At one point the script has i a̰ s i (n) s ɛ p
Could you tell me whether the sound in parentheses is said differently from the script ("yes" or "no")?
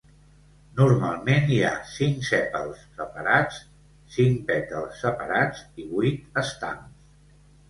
yes